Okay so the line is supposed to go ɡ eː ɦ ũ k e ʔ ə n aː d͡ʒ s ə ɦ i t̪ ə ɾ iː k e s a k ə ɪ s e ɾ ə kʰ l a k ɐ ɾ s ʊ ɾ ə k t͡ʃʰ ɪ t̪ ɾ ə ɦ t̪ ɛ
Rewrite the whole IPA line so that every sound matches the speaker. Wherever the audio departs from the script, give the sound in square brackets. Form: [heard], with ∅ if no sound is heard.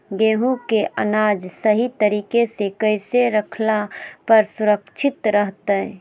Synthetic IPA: ɡ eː ɦ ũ k e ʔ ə n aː d͡ʒ s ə ɦ i t̪ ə ɾ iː k e s [e] k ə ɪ s e ɾ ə kʰ l a [p] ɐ ɾ s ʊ ɾ ə k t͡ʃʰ ɪ t̪ ɾ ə ɦ t̪ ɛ